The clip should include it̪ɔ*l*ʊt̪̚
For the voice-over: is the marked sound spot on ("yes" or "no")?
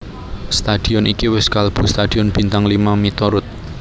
no